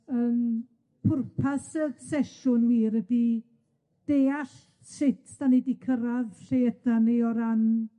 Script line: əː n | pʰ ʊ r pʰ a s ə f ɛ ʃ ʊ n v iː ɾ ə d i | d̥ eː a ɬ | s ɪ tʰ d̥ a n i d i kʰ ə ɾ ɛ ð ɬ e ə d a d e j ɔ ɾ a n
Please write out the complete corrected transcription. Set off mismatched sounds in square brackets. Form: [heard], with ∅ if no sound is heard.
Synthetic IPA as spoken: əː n | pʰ ʊ r pʰ a s ə [s] ɛ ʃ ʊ n [w] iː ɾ ə d i | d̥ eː a ɬ | s ɪ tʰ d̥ a n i d i kʰ ə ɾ [a] ð ɬ e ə d a [n] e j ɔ ɾ a n